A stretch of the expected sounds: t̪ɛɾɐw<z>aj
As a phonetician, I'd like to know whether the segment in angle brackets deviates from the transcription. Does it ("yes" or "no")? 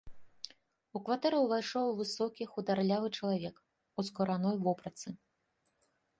yes